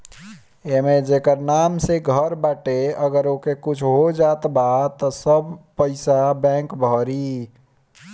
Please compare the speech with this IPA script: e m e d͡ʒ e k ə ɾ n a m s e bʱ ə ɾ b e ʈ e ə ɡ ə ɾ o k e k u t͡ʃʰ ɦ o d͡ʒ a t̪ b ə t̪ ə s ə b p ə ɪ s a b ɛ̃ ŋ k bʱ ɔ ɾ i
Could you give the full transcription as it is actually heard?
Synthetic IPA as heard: e m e d͡ʒ e k ə ɾ n a m s e ɡʱ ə ɾ b a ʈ e ə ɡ ə ɾ o k e k u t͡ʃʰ ɦ o d͡ʒ a t̪ b a t̪ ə s ə b p ə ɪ s a b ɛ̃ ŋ k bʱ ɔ ɾ i